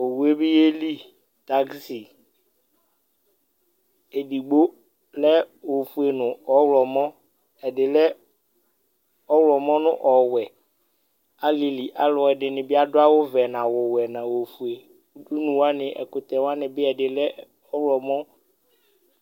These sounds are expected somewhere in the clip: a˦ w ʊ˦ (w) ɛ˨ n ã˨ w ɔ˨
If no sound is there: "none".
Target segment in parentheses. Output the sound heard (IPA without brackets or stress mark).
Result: v